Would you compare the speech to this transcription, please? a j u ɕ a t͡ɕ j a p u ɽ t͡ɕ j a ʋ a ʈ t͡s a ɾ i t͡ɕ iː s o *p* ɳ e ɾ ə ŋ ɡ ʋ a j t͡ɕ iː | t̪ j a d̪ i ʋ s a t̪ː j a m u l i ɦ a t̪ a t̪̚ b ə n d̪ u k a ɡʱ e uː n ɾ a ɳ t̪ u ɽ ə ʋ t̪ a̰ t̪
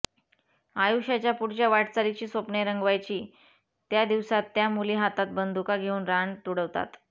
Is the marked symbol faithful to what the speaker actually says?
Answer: yes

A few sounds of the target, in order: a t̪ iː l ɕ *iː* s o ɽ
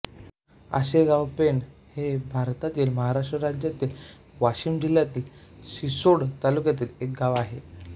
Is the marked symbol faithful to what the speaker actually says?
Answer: no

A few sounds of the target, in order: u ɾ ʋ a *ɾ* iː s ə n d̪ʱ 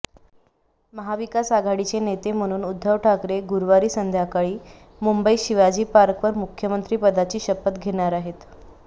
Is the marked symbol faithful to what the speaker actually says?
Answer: yes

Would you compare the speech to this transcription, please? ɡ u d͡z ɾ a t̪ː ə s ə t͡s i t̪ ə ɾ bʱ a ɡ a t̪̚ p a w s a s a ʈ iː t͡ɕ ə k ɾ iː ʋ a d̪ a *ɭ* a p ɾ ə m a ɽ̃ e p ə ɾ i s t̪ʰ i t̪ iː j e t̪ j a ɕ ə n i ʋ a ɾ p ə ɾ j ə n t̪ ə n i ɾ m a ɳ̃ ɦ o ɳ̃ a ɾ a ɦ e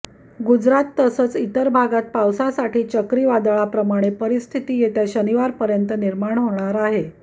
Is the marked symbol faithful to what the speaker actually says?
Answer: yes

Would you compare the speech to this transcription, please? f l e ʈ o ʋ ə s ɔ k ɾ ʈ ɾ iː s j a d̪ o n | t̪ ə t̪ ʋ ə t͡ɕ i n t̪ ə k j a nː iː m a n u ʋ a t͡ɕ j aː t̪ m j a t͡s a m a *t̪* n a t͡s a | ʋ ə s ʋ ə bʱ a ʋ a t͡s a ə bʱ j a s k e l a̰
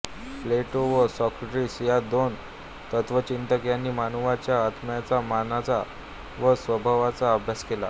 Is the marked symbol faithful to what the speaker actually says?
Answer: no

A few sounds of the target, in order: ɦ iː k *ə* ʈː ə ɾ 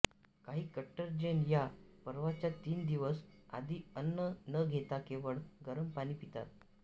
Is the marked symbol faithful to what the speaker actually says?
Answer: yes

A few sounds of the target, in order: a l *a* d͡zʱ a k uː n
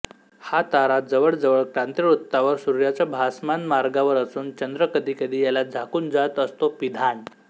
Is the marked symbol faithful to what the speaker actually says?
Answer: yes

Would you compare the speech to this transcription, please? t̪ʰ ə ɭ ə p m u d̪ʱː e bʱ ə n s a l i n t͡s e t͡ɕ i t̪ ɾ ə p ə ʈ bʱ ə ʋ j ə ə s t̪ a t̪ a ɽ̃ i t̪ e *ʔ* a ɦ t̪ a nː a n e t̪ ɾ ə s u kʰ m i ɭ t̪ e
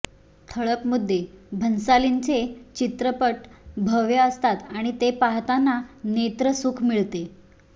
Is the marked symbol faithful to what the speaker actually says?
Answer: no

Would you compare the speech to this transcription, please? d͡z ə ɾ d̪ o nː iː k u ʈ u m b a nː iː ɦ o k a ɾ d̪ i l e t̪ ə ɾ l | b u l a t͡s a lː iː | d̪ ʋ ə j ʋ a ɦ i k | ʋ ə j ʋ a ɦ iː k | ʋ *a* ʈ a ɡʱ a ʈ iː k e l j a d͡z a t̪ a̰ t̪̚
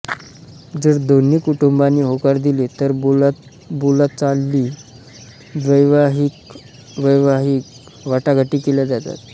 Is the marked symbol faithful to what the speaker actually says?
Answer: yes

